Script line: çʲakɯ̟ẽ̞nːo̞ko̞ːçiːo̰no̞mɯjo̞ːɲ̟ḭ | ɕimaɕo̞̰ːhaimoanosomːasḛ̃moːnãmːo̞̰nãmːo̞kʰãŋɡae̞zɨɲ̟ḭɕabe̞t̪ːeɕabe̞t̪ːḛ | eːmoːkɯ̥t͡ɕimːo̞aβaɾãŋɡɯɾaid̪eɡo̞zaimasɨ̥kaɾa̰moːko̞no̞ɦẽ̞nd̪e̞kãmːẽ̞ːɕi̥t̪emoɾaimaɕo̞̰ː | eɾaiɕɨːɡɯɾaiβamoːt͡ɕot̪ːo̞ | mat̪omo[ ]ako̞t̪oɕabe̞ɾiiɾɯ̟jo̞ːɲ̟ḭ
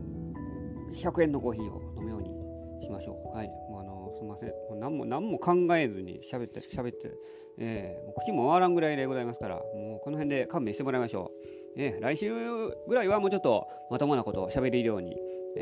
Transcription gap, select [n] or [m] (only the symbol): n